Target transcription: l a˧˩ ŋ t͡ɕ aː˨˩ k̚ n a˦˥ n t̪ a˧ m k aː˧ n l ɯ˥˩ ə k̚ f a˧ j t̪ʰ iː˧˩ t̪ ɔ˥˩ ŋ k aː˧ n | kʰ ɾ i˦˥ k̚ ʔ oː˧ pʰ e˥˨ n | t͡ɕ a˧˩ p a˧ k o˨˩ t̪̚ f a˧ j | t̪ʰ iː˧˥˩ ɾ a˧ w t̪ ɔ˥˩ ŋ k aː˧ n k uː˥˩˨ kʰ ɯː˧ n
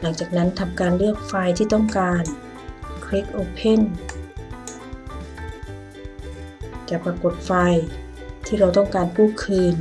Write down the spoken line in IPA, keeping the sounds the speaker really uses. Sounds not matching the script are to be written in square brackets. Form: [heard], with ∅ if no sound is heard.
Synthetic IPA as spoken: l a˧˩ ŋ t͡ɕ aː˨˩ k̚ n a˦˥ n [t̪ʰ] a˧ m k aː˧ n l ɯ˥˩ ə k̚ f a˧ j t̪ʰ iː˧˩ t̪ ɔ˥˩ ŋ k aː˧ n | kʰ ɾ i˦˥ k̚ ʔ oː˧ pʰ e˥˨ n | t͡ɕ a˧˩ p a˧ k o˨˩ t̪̚ f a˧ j | t̪ʰ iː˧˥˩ ɾ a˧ w t̪ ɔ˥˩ ŋ k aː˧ n k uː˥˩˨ kʰ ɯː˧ n